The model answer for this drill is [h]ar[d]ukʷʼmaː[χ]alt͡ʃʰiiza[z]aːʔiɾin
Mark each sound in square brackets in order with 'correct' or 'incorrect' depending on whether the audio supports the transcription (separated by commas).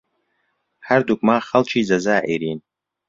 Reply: incorrect, correct, correct, correct